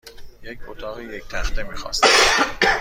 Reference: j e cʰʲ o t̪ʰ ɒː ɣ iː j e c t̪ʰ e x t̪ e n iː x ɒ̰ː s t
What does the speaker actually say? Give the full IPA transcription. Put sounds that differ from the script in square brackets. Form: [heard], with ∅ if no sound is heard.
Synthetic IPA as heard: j e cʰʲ o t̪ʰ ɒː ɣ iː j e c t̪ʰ [æ] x t̪ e [m] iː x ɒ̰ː s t